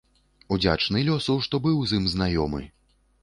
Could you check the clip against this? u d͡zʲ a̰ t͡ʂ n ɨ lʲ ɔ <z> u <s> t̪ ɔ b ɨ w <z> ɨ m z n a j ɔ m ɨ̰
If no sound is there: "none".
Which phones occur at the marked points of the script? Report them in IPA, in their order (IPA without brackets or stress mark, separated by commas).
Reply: s, ʂ, z